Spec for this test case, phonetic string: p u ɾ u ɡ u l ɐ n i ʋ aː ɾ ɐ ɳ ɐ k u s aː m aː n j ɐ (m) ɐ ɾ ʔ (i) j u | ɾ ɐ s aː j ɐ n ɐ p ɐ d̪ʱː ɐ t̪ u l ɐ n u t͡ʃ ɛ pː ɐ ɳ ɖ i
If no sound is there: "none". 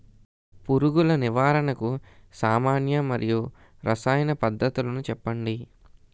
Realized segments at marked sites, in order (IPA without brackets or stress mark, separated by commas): m, i